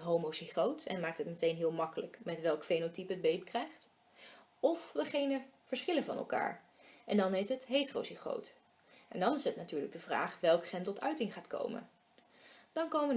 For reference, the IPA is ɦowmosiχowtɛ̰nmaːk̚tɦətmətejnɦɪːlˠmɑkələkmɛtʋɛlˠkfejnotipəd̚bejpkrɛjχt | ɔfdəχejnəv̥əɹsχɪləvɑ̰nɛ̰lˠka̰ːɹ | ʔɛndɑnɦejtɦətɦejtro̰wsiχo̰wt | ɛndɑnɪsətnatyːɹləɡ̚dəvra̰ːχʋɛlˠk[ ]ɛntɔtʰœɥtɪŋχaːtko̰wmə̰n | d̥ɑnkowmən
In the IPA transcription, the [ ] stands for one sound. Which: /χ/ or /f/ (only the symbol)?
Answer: χ